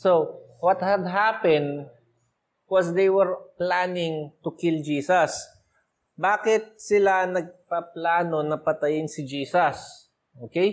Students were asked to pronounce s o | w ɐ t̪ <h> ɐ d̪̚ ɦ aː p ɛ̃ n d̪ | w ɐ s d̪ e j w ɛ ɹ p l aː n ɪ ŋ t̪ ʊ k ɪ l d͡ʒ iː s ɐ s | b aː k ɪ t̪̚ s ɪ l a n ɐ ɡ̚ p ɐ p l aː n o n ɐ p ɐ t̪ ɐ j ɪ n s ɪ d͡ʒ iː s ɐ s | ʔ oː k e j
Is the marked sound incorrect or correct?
correct